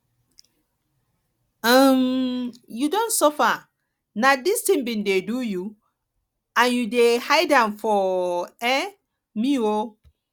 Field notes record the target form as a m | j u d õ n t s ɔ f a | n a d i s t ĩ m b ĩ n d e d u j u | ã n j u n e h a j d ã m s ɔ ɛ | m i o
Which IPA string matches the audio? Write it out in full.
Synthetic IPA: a m | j u d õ n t s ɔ f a | n a d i s t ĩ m b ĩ n d e d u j u | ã n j u d e h a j d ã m f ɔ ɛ | m i o